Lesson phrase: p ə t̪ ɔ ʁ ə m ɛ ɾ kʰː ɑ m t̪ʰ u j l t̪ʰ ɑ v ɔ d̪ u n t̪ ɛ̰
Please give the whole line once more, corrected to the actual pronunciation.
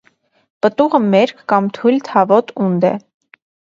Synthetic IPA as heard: p ə t̪ u ʁ ə m ɛ ɾ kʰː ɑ m t̪ʰ u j l t̪ʰ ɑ v ɔ t̪ u n d̪ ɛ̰